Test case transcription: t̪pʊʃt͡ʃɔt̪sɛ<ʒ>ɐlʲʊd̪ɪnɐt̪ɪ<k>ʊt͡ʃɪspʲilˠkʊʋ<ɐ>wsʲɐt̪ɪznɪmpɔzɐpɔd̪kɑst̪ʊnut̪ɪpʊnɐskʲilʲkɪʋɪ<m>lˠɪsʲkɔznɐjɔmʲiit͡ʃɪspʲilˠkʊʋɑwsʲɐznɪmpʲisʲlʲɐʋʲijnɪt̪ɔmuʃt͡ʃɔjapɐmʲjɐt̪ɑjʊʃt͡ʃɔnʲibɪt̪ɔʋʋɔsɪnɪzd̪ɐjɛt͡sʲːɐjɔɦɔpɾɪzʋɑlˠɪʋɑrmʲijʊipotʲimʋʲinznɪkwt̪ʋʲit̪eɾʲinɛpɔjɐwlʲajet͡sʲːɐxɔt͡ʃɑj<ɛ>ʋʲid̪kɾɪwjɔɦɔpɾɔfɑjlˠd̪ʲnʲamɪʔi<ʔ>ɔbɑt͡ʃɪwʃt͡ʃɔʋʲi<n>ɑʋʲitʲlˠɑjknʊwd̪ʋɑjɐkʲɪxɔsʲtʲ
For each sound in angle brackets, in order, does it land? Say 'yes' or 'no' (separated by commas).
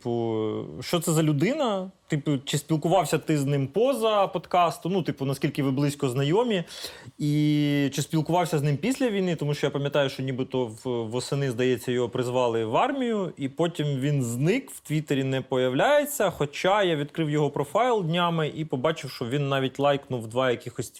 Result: no, no, no, no, no, no, no